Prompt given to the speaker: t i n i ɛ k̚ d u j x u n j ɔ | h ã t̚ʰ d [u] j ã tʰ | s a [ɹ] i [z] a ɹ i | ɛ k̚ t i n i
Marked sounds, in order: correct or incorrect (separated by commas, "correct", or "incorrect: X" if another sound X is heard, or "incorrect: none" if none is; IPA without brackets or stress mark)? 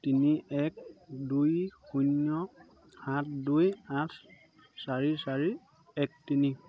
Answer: correct, correct, incorrect: s